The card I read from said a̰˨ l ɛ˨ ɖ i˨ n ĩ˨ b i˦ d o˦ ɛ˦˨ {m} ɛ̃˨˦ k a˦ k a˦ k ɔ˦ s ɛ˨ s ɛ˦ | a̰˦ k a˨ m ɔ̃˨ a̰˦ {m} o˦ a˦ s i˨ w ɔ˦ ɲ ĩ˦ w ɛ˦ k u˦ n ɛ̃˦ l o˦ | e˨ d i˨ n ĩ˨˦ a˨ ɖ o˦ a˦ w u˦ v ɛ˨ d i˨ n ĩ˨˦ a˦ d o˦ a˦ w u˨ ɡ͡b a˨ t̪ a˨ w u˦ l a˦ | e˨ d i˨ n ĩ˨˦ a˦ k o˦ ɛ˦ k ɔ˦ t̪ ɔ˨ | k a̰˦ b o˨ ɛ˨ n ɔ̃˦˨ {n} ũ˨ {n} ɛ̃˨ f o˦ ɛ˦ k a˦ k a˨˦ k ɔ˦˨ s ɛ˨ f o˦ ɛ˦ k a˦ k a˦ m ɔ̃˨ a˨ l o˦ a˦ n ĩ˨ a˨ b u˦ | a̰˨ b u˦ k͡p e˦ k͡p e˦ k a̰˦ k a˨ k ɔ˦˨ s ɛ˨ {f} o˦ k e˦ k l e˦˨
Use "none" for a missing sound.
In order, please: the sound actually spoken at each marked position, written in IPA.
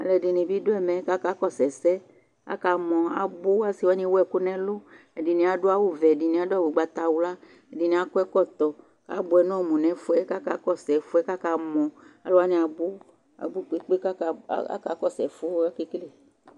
m, b, m, n, f

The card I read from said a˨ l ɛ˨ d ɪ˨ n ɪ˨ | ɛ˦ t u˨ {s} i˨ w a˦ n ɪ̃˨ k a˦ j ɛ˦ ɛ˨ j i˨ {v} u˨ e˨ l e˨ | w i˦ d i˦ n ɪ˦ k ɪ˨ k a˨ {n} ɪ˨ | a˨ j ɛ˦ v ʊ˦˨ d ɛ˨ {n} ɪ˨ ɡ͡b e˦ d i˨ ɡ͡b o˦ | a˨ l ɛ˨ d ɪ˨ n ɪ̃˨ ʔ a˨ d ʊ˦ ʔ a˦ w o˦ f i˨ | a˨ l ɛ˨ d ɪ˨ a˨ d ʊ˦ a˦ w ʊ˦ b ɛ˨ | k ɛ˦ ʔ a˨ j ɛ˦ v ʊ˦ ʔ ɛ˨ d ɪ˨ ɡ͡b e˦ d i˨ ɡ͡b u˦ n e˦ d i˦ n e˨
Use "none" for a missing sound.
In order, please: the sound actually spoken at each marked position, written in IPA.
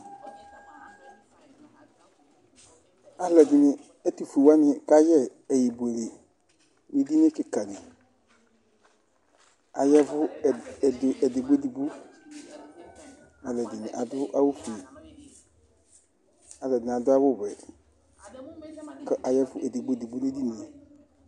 f, b, n, d

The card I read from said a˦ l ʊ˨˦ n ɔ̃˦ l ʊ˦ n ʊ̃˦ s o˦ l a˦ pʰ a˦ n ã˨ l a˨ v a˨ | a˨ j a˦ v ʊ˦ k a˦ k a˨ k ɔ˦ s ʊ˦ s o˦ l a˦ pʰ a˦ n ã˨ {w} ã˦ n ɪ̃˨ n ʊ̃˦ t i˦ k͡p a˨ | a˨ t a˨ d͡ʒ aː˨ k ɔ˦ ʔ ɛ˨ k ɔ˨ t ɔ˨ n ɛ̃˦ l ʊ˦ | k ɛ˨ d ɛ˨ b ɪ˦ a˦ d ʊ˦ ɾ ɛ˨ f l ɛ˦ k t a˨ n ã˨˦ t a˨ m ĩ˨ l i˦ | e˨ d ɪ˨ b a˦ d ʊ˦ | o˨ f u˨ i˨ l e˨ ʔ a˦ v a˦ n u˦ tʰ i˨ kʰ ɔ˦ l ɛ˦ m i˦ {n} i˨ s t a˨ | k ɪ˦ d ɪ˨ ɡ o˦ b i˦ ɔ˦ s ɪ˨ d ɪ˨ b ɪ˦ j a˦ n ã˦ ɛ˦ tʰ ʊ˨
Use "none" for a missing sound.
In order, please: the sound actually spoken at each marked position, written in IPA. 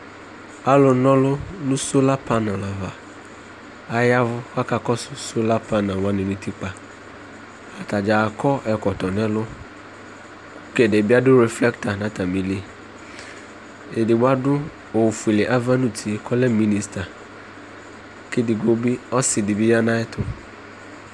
w, n

